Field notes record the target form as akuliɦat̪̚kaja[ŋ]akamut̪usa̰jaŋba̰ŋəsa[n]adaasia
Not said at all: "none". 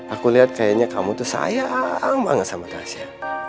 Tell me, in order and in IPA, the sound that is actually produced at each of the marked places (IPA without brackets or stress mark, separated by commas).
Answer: ɲ, m